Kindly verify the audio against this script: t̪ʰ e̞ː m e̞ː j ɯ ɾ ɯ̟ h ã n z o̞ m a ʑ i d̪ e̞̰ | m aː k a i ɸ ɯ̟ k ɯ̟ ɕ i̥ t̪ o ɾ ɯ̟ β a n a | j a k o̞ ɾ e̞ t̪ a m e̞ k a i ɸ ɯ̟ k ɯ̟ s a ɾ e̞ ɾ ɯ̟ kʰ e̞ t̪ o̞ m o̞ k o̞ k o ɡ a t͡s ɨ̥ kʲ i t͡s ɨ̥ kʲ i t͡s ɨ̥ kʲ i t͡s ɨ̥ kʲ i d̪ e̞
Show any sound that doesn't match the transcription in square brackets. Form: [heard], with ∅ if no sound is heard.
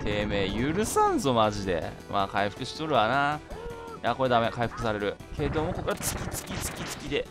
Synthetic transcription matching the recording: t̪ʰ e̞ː m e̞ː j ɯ ɾ ɯ̟ [s] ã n z o̞ m a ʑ i d̪ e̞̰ | m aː k a i ɸ ɯ̟ k ɯ̟ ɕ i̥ t̪ o ɾ ɯ̟ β a n a | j a k o̞ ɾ e̞ [d̪] a m e̞ k a i ɸ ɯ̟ k ɯ̟ s a ɾ e̞ ɾ ɯ̟ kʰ e̞ [d̪] o̞ m o̞ k o̞ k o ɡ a t͡s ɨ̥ kʲ i t͡s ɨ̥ kʲ i t͡s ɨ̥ kʲ i t͡s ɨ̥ kʲ i d̪ e̞

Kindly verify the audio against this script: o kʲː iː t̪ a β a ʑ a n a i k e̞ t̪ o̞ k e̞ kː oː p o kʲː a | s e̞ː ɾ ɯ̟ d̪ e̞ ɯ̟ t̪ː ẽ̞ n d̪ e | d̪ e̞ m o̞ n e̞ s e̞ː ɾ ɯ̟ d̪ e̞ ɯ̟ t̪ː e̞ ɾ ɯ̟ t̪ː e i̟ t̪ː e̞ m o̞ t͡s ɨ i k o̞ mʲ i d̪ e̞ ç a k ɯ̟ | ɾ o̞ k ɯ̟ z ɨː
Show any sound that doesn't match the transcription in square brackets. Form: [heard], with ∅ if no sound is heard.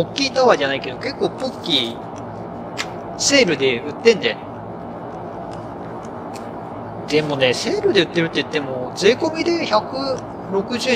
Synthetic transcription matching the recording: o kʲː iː t̪ a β a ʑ a n a i k e̞ [d̪] o̞ k e̞ kː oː p o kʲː [i] | s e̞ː ɾ ɯ̟ d̪ e̞ ɯ̟ t̪ː ẽ̞ n d̪ e | d̪ e̞ m o̞ n e̞ s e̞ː ɾ ɯ̟ d̪ e̞ ɯ̟ t̪ː e̞ ɾ ɯ̟ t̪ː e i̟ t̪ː e̞ m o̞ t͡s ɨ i k o̞ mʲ i d̪ e̞ ç a k ɯ̟ | ɾ o̞ k ɯ̟ [ʑ] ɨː

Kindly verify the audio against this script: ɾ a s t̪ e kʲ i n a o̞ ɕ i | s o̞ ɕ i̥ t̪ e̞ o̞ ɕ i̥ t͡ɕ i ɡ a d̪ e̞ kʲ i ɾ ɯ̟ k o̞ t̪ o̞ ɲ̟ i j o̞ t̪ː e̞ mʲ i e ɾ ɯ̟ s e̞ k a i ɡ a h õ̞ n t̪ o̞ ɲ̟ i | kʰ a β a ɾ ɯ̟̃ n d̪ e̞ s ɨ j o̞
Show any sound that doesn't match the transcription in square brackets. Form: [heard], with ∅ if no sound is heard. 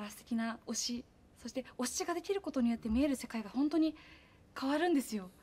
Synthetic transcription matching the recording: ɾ a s t̪ e kʲ i n a o̞ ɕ i | s o̞ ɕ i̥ t̪ e̞ o̞ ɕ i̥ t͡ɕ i ɡ a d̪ e̞ kʲ i ɾ ɯ̟ k o̞ t̪ o̞ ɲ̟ i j o̞ t̪ː e̞ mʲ i e ɾ ɯ̟ s e̞ k a i ɡ a h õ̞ n t̪ o̞ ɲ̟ i | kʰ a β a ɾ ɯ̟̃ n d̪ e̞ s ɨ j o̞

